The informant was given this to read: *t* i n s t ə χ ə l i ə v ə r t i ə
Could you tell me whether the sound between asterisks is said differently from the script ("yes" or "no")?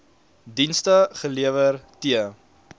yes